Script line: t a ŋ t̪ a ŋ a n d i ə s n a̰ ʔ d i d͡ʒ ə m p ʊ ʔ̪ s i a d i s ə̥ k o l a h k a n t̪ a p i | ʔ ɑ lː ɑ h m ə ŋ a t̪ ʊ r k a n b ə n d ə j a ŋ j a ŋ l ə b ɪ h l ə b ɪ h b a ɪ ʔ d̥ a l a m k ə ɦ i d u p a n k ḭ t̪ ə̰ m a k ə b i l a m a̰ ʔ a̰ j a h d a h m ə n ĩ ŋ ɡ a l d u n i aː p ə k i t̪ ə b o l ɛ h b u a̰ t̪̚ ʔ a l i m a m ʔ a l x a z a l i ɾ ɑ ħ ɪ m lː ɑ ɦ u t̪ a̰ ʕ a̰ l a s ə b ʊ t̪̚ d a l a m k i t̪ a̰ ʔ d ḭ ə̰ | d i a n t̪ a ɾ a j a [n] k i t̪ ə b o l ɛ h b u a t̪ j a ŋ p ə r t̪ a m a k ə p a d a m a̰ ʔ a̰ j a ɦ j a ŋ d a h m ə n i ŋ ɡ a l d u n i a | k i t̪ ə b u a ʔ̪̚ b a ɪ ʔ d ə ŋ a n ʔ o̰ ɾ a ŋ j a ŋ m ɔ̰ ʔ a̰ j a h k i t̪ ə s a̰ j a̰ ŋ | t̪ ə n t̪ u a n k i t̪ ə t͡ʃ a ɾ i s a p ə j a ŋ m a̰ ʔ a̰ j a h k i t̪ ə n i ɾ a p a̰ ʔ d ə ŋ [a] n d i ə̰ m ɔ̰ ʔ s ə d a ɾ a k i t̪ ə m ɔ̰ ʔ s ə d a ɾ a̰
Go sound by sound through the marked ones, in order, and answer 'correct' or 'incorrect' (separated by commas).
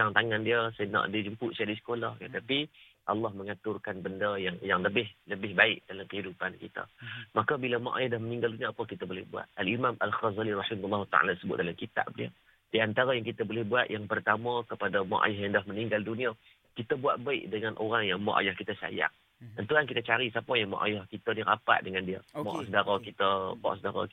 incorrect, correct